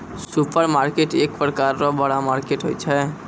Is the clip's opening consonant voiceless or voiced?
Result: voiceless